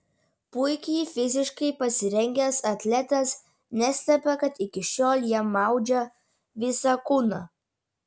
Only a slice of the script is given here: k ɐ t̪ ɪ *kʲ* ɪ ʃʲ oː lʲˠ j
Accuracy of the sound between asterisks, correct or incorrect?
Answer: correct